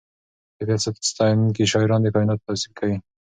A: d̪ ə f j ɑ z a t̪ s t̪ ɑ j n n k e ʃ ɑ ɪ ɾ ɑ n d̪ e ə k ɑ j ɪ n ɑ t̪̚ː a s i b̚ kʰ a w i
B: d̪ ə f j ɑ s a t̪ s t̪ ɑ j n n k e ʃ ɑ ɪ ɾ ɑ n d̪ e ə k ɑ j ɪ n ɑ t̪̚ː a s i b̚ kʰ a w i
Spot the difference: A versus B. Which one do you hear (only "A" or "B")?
B